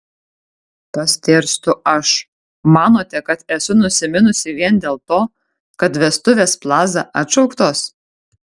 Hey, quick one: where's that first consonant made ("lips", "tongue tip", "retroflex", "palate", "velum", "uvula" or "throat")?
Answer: lips